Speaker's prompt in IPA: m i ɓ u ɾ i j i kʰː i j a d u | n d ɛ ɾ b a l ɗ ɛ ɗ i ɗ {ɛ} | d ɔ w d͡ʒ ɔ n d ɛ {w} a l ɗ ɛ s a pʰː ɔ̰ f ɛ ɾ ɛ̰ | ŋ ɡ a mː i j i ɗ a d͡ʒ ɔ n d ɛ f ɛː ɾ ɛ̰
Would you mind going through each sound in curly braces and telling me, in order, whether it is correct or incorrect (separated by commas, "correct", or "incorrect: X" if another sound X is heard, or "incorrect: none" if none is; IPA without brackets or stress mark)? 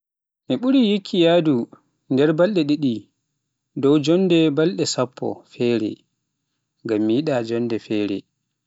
incorrect: i, incorrect: b